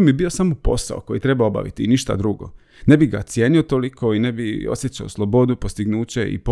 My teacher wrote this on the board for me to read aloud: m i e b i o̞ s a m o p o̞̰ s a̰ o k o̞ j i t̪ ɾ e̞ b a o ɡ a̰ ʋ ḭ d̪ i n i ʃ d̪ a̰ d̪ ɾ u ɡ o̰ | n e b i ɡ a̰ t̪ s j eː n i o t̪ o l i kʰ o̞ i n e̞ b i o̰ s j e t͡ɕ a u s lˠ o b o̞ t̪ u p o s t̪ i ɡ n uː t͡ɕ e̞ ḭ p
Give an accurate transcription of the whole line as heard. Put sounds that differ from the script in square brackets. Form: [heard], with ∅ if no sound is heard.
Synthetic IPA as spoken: m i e b i o̞ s a m o p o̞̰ s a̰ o k o̞ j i t̪ ɾ e̞ b a o [b] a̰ ʋ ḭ [t̪] i n i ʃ [t̪] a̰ d̪ ɾ u ɡ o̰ | n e b i ɡ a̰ t̪ s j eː n i o t̪ o l i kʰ o̞ i n e̞ b i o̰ s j e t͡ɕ a [o] s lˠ o b o̞ [d̪] u p o s t̪ i ɡ n uː t͡ɕ e̞ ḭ p